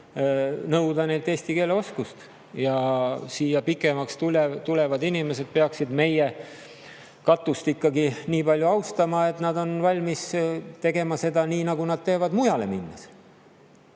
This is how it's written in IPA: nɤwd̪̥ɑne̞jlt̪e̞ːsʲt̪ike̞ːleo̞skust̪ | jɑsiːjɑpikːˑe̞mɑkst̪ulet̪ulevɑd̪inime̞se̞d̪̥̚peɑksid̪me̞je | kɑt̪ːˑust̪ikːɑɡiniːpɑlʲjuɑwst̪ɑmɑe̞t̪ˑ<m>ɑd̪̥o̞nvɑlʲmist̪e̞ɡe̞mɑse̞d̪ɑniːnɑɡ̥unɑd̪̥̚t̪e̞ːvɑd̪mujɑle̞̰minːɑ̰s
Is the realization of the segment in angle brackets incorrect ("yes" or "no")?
yes